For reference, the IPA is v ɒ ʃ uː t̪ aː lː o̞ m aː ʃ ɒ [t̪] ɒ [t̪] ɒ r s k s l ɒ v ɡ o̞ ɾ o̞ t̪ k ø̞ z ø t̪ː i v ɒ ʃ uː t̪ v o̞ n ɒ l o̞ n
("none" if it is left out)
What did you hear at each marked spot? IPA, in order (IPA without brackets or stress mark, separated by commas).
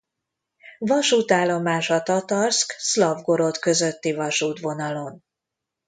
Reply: t̪, t̪